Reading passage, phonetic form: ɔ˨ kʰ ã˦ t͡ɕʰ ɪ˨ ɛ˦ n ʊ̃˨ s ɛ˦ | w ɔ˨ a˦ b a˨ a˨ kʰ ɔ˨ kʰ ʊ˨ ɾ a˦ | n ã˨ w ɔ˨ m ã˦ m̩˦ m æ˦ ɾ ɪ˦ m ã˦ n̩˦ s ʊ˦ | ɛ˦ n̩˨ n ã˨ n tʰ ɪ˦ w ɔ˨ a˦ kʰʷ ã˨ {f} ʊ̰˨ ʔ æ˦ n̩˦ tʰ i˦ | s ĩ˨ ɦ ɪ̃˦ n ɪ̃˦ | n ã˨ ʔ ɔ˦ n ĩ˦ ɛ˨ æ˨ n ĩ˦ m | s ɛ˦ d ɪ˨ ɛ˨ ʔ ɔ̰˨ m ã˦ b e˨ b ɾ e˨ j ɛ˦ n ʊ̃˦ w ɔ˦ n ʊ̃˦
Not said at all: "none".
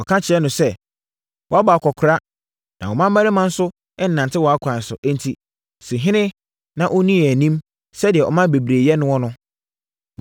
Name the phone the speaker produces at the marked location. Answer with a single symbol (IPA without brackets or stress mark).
s